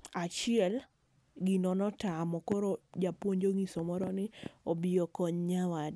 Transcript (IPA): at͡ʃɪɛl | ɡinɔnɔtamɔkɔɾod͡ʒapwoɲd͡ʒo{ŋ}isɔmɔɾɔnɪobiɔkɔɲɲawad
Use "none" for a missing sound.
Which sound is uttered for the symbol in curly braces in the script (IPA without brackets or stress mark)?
ŋ